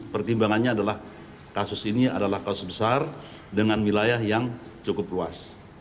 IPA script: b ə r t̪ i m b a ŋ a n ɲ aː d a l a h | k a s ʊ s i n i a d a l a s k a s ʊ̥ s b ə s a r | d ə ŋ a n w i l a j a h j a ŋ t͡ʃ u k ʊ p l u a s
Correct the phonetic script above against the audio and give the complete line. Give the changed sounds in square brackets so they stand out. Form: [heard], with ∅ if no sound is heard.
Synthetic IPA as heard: [p] ə r t̪ i m b a ŋ a n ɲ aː d a l a h | k a s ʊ s i n i a d a l a [h] k a s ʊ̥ s b ə s a r | d ə ŋ a n w i l a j a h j a ŋ t͡ʃ u k ʊ p l u a s